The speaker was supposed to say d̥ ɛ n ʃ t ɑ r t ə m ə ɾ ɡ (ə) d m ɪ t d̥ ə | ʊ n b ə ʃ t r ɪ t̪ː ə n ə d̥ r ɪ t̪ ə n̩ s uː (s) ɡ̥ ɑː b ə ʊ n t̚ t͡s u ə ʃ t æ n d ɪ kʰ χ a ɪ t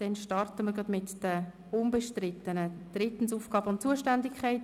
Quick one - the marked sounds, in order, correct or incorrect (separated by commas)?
incorrect, incorrect